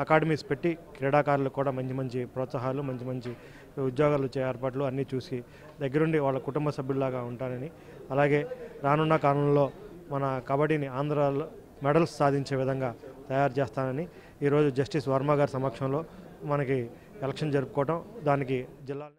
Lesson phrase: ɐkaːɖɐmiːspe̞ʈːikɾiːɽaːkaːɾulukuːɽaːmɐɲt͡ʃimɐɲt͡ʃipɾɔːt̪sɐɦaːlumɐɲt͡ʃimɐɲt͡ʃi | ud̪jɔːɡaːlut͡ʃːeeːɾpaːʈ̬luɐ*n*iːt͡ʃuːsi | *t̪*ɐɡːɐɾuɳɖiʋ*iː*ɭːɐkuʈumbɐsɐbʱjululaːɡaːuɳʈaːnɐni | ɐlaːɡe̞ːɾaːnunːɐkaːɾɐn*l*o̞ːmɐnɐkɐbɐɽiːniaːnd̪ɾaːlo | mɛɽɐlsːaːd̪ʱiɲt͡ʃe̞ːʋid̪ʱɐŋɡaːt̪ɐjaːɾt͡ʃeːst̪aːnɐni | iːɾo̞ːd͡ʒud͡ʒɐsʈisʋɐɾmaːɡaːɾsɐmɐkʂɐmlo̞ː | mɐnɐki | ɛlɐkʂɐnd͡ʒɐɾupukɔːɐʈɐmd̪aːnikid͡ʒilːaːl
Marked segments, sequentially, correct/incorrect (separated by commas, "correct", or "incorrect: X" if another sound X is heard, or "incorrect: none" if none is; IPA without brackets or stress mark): incorrect: nː, incorrect: d̪, incorrect: aː, correct